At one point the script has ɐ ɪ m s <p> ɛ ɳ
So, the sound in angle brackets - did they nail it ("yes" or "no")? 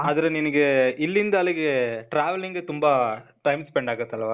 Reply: yes